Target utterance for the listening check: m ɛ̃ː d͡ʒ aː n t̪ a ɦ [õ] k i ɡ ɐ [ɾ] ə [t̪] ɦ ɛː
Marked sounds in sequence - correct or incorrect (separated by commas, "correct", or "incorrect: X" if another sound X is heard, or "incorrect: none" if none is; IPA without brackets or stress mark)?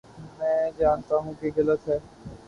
incorrect: ũ, incorrect: l, correct